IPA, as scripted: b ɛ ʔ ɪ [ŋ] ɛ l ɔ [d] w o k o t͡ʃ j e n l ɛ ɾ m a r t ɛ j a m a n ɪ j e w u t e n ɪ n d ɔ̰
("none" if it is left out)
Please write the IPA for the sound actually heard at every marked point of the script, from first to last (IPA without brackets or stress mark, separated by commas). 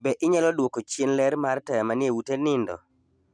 ɲ, d